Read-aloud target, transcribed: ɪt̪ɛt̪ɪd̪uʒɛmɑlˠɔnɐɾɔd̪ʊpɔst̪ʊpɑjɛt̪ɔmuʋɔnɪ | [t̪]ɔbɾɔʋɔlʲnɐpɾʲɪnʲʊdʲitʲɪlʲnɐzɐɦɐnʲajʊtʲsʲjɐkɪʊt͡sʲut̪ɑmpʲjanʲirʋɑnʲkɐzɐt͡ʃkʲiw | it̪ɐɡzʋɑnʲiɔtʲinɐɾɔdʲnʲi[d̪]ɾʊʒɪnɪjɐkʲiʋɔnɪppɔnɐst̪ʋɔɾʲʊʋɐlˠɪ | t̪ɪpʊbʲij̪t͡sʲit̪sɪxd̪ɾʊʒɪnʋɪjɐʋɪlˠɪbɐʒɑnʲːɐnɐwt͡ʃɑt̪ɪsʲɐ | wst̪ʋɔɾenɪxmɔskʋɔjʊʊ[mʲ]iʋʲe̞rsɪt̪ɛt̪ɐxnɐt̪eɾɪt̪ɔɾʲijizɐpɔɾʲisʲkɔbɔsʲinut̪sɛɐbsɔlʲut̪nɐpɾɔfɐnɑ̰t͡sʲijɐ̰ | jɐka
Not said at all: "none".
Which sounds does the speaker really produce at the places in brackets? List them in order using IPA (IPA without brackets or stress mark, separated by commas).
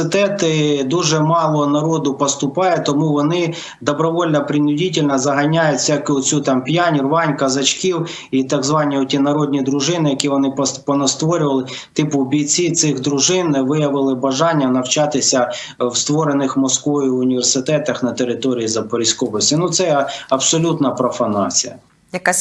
d̪, d̪, nʲ